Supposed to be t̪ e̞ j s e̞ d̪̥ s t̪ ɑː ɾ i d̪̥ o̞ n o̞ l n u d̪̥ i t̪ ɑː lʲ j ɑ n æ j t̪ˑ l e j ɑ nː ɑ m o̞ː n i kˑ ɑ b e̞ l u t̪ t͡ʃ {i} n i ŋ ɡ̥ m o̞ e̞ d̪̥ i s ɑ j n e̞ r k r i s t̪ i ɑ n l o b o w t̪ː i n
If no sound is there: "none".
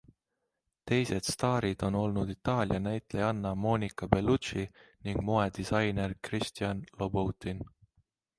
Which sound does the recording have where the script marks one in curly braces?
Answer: i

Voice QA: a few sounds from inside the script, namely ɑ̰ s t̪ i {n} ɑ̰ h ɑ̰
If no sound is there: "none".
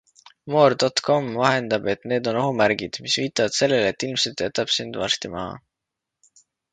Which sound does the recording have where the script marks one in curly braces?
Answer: m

